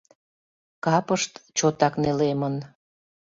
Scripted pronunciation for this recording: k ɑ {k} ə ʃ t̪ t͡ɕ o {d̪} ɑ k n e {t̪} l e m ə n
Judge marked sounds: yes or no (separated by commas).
no, no, no